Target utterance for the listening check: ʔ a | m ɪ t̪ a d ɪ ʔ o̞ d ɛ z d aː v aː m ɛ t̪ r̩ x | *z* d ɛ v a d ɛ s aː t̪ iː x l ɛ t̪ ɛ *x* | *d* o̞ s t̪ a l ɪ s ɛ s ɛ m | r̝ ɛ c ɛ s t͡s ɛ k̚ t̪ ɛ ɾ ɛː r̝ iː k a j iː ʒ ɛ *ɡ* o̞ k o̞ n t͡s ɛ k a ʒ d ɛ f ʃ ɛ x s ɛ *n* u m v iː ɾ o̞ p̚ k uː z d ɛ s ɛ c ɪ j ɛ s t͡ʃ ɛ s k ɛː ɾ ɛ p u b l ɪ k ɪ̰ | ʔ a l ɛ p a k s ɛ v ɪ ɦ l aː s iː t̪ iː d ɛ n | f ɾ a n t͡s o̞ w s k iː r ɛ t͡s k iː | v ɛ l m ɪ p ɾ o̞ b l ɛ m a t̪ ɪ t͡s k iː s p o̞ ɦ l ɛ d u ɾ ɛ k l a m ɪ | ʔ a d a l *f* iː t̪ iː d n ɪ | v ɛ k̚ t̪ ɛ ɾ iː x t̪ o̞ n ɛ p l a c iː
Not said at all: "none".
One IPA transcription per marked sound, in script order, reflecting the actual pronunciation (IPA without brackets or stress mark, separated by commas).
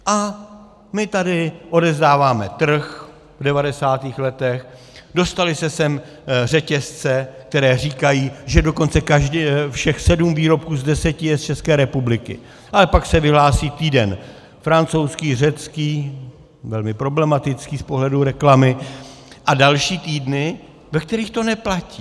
v, x, d, d, d, ʃ